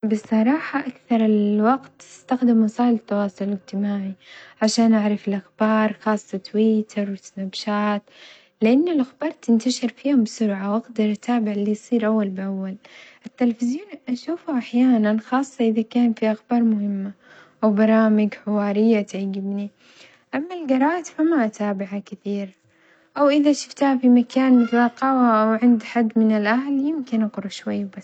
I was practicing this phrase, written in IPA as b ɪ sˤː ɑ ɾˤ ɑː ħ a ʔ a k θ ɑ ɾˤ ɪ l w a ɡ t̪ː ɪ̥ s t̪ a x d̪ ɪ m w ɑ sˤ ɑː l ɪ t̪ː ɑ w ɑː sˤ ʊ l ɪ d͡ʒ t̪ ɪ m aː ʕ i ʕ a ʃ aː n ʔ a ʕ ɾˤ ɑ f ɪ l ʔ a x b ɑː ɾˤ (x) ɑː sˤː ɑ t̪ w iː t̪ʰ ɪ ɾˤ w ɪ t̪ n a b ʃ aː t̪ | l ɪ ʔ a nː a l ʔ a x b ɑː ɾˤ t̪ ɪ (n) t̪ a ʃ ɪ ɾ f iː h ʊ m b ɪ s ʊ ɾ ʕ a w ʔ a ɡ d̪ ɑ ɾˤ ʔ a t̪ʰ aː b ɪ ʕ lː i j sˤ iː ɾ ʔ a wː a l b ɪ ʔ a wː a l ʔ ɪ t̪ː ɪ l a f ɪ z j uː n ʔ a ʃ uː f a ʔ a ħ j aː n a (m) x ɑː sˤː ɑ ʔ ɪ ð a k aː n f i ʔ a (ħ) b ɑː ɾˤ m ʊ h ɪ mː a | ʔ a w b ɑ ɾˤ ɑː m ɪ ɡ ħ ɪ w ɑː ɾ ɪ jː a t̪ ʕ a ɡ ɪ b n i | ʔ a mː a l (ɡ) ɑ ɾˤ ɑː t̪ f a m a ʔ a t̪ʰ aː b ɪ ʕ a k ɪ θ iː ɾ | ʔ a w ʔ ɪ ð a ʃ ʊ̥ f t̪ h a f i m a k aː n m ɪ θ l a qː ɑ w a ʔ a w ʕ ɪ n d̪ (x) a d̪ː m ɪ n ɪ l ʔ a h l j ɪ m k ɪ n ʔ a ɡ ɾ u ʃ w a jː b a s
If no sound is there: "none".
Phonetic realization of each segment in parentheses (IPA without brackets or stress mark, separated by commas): x, n, n, x, ɡ, ħ